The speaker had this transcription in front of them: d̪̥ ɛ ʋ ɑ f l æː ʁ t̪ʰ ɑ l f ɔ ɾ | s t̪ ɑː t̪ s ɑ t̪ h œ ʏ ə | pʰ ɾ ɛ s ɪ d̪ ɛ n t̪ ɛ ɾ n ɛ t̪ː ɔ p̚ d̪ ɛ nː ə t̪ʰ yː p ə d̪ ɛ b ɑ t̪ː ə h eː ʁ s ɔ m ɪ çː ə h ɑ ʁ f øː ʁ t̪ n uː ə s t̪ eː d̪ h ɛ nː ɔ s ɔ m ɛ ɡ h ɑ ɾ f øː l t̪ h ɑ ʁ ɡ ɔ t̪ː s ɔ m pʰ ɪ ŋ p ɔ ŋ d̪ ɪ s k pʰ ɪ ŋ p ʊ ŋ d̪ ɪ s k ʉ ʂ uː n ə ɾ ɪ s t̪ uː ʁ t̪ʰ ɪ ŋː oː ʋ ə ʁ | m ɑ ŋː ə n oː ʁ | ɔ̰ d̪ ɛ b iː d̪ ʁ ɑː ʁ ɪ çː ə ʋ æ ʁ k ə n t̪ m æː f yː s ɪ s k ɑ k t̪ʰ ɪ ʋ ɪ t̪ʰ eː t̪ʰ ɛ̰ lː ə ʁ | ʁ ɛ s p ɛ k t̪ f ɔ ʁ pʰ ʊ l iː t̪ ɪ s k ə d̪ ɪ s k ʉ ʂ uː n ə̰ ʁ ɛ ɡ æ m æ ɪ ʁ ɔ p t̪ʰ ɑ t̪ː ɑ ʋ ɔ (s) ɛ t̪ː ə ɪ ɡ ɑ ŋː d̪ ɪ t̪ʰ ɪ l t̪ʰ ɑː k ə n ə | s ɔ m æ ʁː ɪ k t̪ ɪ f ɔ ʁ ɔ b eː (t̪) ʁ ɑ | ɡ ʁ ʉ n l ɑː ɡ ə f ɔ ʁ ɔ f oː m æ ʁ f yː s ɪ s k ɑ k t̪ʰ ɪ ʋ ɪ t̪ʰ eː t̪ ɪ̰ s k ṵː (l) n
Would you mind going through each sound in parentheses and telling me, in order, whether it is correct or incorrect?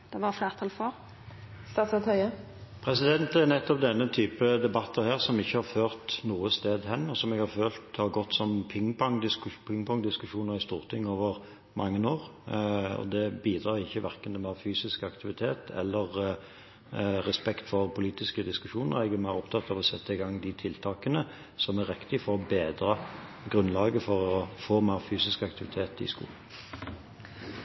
correct, incorrect: d̪, correct

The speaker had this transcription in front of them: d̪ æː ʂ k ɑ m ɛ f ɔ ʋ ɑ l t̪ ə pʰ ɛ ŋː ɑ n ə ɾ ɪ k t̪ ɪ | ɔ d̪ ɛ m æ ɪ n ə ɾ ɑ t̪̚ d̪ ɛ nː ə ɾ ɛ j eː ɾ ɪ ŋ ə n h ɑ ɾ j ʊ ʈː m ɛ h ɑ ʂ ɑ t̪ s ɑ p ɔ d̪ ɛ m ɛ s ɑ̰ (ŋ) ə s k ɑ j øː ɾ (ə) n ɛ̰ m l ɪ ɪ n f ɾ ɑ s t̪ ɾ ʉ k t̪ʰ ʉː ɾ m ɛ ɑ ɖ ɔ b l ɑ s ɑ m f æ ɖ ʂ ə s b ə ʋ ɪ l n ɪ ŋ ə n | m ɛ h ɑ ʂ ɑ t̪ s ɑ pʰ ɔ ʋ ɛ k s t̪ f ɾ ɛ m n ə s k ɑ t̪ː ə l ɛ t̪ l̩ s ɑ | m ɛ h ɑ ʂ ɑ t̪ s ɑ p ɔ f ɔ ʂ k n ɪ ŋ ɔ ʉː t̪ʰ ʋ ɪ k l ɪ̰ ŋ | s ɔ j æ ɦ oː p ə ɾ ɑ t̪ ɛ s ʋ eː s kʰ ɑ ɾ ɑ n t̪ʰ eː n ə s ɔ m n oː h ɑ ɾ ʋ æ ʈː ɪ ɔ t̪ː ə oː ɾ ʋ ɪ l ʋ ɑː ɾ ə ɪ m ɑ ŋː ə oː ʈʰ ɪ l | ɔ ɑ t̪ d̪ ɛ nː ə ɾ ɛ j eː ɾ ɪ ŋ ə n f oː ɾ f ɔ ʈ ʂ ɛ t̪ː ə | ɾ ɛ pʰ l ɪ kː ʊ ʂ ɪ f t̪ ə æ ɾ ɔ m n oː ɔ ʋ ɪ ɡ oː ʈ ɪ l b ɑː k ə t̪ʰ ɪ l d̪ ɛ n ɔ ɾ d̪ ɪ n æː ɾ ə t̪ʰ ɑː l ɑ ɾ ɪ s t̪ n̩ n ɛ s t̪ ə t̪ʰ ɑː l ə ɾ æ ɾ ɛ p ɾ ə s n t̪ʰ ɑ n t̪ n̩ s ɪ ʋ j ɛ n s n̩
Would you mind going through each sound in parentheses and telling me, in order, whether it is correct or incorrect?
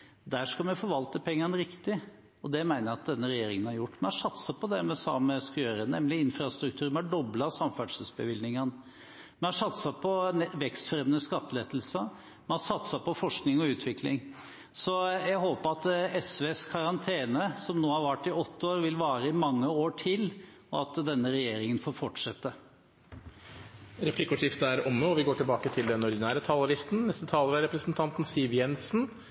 incorrect: m, correct

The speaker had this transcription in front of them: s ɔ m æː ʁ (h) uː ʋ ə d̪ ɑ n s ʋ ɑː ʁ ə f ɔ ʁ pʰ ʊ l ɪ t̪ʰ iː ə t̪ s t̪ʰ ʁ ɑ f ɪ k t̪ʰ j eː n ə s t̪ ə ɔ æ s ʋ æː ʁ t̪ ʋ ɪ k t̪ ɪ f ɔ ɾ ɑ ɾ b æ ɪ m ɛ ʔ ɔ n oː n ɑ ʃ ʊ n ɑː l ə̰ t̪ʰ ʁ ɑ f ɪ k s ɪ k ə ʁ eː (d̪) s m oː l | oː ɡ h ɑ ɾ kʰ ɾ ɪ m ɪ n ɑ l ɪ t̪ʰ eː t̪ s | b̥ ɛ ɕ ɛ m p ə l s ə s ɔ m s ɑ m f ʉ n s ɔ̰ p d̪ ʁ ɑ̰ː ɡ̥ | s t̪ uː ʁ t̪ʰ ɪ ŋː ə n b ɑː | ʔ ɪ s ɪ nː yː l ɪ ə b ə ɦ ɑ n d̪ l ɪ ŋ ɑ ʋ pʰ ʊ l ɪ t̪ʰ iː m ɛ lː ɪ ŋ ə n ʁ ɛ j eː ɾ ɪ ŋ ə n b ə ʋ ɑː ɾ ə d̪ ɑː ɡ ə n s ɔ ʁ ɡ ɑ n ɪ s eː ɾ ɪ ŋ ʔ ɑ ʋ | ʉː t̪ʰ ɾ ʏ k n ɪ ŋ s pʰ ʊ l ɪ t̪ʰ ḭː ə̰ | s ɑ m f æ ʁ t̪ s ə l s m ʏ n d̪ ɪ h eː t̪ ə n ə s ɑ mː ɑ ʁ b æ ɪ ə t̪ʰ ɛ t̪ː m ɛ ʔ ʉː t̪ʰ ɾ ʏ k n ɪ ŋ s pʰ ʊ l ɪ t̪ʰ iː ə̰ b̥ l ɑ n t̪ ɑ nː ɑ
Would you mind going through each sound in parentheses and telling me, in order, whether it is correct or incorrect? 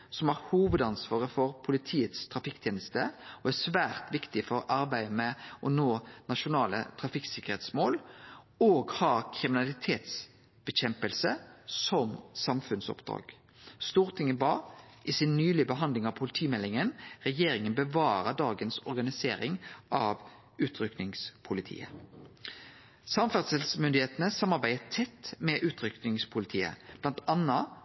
correct, incorrect: t̪

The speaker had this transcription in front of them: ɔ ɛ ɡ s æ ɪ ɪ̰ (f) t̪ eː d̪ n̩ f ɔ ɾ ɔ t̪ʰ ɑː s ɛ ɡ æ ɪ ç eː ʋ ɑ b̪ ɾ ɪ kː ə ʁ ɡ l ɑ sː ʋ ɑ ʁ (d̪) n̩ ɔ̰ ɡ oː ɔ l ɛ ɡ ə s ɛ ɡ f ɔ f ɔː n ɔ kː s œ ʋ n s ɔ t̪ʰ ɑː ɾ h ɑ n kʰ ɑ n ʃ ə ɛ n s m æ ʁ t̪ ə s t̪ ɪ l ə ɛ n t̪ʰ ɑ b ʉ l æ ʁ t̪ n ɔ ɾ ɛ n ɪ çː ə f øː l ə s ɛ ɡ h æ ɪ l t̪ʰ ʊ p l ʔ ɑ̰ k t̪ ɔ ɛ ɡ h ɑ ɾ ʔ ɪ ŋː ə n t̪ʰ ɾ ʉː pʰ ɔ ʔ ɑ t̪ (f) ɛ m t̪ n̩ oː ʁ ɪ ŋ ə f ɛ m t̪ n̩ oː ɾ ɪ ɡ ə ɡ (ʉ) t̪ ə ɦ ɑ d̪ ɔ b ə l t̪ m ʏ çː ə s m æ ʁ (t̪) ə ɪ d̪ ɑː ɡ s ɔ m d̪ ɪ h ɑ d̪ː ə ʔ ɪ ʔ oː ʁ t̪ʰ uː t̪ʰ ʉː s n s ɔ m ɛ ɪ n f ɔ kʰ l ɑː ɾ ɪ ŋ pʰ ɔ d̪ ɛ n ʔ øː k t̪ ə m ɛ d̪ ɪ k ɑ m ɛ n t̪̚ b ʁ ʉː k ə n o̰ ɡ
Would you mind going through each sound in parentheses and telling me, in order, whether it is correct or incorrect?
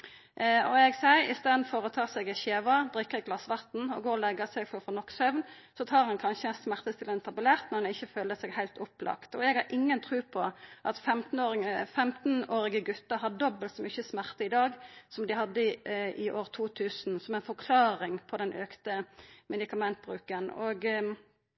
incorrect: s, incorrect: t̪, correct, correct, correct

